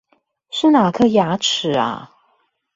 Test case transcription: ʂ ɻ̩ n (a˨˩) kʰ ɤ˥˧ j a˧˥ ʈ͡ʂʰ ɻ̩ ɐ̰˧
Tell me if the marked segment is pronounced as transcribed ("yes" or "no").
yes